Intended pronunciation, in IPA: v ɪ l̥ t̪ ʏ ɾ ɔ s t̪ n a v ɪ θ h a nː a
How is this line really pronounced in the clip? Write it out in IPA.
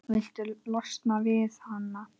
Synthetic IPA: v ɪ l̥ t̪ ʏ l ɔ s t̪ n a v ɪ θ h a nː a